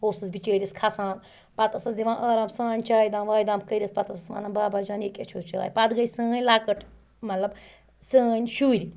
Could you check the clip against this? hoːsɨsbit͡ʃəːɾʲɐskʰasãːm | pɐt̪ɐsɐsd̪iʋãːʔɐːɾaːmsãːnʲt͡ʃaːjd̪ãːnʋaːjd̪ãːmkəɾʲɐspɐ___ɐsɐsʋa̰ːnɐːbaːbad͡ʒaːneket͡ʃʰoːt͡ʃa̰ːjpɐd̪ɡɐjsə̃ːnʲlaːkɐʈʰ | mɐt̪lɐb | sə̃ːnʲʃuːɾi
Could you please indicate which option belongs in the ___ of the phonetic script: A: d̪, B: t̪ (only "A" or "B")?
B